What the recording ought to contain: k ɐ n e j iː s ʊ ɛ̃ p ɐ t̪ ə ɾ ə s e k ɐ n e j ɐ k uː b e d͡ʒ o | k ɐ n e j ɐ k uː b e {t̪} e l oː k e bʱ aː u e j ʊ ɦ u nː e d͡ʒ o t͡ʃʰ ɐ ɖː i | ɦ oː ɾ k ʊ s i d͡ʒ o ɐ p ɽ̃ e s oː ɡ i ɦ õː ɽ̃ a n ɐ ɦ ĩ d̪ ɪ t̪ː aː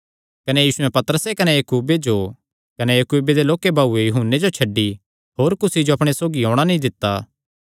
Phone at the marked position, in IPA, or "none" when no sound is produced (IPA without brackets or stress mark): d̪